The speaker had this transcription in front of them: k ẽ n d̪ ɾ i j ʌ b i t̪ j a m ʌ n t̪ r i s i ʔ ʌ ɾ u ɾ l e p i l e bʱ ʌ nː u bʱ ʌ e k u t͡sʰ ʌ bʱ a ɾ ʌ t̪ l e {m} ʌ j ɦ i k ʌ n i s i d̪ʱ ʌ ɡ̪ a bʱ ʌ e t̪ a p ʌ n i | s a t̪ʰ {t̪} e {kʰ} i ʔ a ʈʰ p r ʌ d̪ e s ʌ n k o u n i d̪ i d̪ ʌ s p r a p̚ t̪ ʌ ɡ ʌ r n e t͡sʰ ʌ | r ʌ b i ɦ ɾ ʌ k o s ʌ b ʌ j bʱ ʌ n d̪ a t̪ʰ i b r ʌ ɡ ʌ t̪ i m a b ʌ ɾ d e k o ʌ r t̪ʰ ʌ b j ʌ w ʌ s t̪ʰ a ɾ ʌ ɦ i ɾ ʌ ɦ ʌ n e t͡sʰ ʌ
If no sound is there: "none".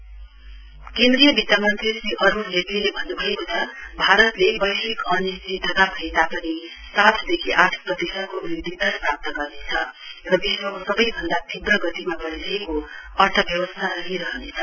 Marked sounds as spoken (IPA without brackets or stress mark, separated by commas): b, d̪, kʰ